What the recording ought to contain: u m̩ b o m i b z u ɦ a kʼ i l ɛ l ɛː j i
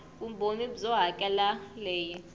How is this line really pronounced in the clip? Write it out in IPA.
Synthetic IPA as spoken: u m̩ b o n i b z ɔ ɦ a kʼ ɛ l a l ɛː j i

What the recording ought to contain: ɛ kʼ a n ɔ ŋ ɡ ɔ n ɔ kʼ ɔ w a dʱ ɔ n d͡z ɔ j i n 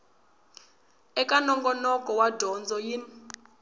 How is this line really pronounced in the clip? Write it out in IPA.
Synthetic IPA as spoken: ɛ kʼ a n ɔ ŋ ɡ ɔ n ɔ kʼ ɔ w a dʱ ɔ n d͡z ɔ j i n

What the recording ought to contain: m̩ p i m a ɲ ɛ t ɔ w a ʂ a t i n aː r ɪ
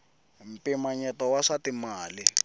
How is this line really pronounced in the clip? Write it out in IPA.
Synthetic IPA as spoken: m̩ p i m a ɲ ɛ t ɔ w a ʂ a t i m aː l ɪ

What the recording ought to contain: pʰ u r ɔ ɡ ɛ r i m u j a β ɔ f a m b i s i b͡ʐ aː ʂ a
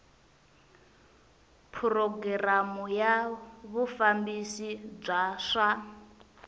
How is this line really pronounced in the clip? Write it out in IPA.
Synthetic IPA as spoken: pʰ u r ɔ ɡ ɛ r a m u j a β u f a m b i s i b͡ʐ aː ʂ a

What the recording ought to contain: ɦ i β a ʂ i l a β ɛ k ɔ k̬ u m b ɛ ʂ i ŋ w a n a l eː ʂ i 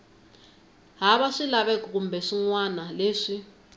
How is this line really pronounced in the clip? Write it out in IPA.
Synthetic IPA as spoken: ɦ a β a ʂ i l a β ɛ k ɔ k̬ u m b ɛ ʂ i ŋ w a n a l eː ʂ i

